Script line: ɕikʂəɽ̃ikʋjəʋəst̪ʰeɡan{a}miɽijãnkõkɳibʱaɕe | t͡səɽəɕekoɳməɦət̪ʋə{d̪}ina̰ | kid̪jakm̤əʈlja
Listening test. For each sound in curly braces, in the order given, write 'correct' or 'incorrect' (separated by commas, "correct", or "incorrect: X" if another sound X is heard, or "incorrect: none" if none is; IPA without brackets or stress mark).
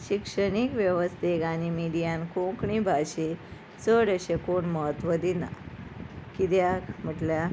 incorrect: i, correct